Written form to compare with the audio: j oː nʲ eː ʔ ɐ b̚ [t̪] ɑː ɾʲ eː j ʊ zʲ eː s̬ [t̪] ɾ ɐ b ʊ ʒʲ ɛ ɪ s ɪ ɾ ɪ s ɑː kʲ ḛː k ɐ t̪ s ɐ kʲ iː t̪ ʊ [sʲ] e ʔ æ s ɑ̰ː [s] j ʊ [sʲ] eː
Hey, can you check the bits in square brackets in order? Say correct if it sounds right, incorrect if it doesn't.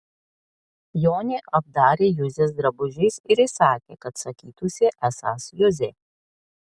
incorrect, incorrect, correct, correct, incorrect

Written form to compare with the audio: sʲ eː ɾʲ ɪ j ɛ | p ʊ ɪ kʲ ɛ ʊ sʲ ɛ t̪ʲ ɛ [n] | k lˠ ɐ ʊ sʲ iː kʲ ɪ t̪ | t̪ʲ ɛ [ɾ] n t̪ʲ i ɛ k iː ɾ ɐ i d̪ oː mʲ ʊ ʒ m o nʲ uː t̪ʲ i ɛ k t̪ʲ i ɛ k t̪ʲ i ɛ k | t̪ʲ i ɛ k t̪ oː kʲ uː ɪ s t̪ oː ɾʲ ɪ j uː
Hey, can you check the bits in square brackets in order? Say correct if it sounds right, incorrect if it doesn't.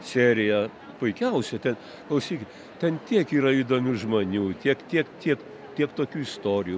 correct, incorrect

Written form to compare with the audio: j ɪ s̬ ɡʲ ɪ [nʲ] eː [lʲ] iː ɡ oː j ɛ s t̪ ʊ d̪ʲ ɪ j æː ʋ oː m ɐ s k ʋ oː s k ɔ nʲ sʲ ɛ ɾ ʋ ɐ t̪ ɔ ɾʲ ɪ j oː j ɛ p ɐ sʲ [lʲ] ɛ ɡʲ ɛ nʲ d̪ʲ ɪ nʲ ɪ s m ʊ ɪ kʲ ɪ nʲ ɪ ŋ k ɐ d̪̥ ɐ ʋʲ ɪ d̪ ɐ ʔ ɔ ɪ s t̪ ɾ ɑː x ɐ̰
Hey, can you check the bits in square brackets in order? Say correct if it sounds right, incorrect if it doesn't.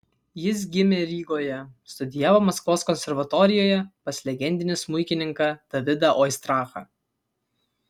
incorrect, incorrect, correct

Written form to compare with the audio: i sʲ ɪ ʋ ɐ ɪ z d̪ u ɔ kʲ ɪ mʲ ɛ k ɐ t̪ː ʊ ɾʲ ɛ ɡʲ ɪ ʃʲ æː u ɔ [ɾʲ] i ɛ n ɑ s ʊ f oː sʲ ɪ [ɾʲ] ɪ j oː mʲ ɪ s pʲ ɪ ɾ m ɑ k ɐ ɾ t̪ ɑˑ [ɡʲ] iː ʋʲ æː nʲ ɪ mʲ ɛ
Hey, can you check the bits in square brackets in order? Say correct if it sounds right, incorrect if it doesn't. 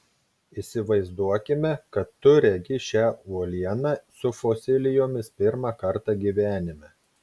incorrect, incorrect, correct

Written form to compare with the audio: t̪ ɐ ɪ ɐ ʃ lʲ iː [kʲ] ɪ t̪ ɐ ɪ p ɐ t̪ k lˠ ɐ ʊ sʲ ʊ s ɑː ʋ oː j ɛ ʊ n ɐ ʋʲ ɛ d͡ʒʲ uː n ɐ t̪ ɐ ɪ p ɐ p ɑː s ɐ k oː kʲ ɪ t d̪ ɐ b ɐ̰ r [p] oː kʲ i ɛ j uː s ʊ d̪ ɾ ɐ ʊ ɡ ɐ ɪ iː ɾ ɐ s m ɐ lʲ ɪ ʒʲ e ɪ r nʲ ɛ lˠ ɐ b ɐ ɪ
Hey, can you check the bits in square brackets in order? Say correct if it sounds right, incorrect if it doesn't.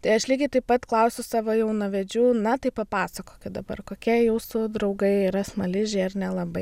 incorrect, incorrect

